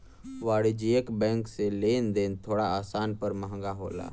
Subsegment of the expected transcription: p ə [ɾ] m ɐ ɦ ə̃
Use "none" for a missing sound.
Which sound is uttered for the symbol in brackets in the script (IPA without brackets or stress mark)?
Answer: ɾ